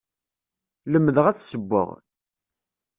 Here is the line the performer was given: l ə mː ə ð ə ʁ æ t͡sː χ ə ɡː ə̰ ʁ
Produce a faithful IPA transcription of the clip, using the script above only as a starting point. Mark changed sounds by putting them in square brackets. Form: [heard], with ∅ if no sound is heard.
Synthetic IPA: l ə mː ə ð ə ʁ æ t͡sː [s] ə [bː] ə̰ ʁ